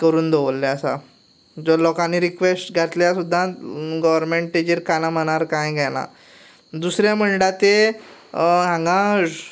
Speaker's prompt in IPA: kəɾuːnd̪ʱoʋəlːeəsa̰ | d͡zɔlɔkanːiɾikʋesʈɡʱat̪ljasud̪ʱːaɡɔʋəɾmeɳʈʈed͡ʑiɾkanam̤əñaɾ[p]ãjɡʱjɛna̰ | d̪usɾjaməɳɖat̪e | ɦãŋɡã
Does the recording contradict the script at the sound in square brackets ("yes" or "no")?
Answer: yes